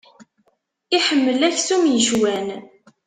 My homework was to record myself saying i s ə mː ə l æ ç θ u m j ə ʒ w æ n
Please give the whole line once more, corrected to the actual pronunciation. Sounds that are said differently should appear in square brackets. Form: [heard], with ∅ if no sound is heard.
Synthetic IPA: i [ħ] ə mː ə l æ ç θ u m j ə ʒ w æ n

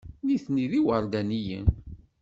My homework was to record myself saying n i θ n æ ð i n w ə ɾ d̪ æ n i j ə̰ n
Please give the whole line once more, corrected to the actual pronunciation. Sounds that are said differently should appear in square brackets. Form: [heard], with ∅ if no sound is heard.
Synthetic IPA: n i θ n [i] ð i [∅] w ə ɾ d̪ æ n i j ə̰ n

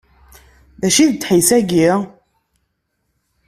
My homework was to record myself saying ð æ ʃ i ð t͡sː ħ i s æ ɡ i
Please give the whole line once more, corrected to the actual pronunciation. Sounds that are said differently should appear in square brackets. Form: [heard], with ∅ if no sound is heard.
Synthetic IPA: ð æ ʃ i ð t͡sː ħ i s æ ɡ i

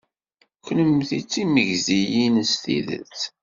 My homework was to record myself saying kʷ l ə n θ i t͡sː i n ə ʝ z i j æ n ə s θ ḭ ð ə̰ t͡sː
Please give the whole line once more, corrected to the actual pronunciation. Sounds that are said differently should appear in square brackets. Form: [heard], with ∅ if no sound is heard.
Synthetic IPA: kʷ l ə [m] θ i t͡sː i [m] ə ʝ z i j [i] n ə s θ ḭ ð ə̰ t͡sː

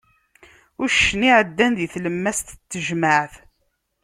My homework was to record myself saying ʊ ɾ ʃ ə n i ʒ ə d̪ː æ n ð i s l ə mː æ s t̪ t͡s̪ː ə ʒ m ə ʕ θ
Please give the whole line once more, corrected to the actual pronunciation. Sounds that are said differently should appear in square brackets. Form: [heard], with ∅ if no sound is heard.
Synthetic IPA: ʊ ɾ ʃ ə n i [ʕ] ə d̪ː æ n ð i [θ] l ə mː æ s t̪ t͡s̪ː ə ʒ m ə ʕ θ

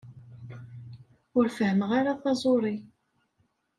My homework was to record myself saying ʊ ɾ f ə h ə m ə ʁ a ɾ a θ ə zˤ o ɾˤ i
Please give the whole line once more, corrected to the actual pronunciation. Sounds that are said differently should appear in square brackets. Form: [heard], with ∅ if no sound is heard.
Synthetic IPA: ʊ ɾ f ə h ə m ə ʁ a ɾ a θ [ɑ] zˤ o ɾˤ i

